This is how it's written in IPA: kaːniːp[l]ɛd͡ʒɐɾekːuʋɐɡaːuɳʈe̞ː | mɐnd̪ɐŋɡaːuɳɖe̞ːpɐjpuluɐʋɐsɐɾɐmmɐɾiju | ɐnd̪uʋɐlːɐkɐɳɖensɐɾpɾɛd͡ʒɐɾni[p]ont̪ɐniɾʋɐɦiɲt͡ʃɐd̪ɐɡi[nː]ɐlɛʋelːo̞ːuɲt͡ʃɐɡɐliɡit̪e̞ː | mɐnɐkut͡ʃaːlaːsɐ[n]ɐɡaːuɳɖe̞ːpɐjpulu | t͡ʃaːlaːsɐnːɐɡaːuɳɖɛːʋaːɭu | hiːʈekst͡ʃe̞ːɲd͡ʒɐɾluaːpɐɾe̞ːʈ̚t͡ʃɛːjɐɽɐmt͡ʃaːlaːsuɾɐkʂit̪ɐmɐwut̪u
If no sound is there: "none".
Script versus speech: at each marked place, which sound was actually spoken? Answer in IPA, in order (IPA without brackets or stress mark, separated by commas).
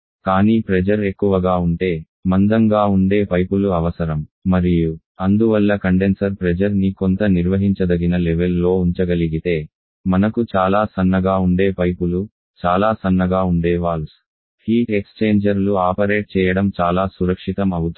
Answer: ɾ, k, n, nː